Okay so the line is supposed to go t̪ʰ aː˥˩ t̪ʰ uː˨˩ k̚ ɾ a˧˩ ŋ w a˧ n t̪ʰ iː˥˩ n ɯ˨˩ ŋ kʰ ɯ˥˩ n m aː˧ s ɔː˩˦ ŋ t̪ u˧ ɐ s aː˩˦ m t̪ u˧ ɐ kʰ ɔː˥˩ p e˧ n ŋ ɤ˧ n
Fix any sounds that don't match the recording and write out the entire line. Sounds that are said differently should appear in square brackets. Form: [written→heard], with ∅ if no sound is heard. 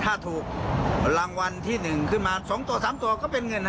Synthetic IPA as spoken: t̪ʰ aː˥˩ t̪ʰ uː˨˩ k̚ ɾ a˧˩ ŋ w a˧ n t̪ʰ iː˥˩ n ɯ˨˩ ŋ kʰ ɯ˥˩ n m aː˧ s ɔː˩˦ ŋ t̪ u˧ ɐ s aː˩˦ m t̪ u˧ ɐ [kʰ→k] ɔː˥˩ p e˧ n ŋ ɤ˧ n